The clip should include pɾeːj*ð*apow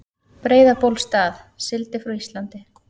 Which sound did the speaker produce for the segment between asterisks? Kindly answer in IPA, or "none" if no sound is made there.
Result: ð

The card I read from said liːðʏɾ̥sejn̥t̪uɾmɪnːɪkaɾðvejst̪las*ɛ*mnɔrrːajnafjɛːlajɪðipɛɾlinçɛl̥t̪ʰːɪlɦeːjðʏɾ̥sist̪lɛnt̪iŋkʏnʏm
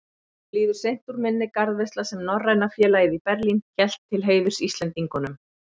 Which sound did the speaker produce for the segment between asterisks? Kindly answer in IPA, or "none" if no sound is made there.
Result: ɛ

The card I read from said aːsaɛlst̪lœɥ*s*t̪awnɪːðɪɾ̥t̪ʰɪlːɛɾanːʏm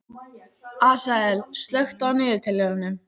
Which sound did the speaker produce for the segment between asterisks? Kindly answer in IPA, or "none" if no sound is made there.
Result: x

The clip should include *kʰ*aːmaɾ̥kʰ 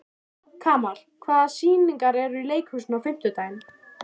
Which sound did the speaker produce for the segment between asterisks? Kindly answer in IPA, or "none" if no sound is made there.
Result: kʰ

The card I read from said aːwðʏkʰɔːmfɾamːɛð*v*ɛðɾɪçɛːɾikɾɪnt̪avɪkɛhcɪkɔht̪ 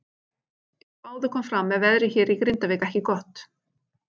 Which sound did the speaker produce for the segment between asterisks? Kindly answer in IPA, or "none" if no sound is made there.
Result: v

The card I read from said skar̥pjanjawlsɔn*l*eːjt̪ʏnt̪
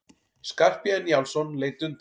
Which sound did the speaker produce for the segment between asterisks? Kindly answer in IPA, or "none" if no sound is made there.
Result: l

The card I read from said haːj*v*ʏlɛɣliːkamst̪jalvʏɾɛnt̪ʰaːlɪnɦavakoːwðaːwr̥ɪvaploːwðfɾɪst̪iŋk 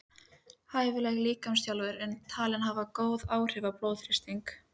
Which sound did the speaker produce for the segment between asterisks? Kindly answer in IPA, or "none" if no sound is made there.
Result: v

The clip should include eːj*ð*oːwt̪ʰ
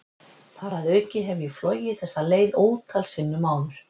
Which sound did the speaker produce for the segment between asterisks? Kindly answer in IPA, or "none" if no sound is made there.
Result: ð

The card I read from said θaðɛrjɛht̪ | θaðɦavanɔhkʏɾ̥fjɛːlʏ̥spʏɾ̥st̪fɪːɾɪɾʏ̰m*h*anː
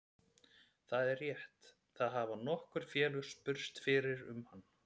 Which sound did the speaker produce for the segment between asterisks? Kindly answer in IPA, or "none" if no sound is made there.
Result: h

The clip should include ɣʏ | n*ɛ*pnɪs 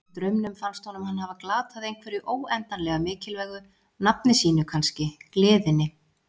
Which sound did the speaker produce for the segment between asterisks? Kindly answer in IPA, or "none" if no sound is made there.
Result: a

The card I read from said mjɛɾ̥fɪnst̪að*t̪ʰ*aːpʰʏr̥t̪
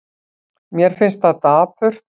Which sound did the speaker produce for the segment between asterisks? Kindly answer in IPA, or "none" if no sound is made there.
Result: t̪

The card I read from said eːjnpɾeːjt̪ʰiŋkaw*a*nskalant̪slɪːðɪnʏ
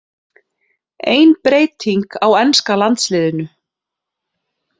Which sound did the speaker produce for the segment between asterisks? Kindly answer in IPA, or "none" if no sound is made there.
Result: ɛ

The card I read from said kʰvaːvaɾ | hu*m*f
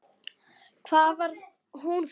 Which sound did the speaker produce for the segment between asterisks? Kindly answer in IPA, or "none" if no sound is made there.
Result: n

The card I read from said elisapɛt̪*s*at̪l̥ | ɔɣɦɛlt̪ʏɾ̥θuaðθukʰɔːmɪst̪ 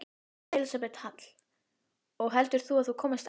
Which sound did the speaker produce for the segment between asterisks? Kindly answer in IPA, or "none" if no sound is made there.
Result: h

